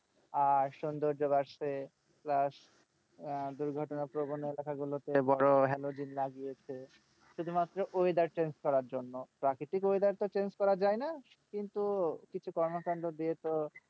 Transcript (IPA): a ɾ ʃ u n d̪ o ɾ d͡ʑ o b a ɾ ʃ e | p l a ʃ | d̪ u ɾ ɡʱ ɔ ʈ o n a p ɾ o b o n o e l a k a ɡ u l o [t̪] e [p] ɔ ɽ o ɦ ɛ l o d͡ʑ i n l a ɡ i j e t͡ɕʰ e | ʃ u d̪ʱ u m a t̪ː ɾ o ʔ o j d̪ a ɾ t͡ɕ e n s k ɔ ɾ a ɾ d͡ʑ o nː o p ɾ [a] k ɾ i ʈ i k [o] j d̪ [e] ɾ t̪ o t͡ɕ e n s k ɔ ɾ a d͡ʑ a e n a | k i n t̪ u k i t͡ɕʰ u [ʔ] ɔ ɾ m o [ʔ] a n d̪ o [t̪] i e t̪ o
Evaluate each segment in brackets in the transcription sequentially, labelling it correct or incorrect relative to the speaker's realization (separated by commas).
correct, incorrect, correct, correct, incorrect, incorrect, incorrect, incorrect